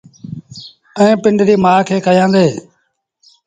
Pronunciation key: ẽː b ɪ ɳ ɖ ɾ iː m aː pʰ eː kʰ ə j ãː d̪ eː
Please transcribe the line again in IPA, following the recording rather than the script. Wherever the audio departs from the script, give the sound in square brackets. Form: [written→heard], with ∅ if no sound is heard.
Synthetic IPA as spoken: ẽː [b→p] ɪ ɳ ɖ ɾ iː m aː [pʰ→kʰ] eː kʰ ə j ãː d̪ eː